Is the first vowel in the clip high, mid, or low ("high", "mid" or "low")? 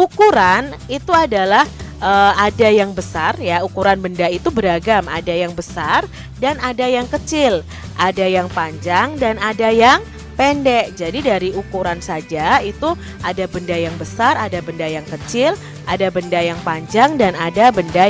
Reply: high